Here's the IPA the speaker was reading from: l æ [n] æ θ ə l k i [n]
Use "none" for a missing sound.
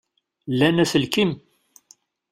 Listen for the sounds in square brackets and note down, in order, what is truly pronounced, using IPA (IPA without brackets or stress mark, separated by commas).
n, m